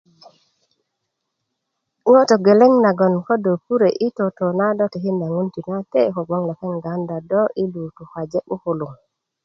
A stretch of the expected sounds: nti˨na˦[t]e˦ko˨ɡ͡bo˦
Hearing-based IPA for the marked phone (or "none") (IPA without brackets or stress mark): t